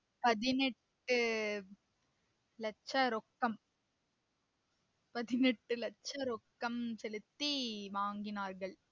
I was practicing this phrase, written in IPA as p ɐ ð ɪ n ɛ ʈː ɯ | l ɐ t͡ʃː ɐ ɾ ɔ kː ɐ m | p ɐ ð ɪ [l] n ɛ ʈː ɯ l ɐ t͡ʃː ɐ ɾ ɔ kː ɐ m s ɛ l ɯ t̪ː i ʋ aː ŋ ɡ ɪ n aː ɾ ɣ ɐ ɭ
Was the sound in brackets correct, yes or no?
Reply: no